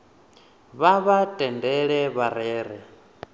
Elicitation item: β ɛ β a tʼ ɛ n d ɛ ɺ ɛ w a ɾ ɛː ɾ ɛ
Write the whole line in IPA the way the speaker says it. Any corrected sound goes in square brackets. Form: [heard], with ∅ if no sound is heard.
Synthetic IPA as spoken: β [a] β a tʼ ɛ n d ɛ ɺ ɛ [β] a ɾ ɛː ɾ ɛ